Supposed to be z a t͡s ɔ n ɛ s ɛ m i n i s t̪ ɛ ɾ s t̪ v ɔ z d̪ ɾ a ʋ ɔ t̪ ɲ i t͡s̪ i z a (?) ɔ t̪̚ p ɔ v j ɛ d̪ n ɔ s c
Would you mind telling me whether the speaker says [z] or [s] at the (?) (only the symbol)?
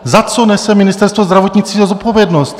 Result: z